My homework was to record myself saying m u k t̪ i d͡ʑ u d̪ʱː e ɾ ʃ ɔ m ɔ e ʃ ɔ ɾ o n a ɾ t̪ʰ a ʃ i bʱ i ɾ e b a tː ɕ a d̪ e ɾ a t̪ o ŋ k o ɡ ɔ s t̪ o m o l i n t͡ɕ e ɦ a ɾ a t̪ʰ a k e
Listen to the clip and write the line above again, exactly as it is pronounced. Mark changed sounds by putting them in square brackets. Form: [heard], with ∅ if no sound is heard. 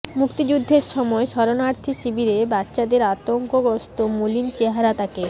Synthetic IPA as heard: m u k t̪ i d͡ʑ u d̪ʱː e ɾ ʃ ɔ m ɔ e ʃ ɔ ɾ o n a ɾ t̪ʰ [i] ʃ i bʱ i ɾ e b a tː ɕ a d̪ e ɾ a t̪ o ŋ k o ɡ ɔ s t̪ o m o l i n t͡ɕ e ɦ a ɾ a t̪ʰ a k e